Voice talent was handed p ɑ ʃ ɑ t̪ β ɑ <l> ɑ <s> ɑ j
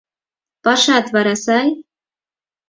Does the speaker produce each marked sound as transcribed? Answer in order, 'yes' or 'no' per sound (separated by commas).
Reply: no, yes